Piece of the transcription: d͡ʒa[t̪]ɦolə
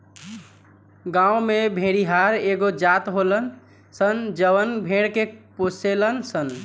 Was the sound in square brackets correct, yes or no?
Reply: yes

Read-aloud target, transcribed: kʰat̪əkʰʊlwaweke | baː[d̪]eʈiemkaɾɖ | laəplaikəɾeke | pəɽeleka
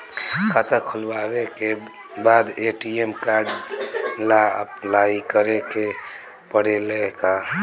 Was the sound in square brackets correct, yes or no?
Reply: yes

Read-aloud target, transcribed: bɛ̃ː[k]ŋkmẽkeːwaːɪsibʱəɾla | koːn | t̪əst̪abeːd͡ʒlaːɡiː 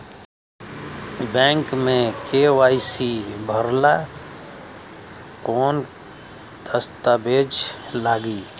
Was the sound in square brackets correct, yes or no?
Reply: no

